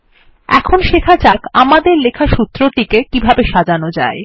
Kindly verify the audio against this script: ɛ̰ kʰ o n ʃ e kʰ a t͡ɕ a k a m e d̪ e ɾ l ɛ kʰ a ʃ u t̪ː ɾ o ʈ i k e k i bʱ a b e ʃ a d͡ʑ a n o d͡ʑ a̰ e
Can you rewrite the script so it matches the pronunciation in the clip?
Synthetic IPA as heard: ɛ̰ kʰ o n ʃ e kʰ a t͡ɕ a k a m a d̪ e ɾ l e kʰ a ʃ u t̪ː ɾ o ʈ i k e k i bʱ a b e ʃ a d͡ʑ a n o d͡ʑ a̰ e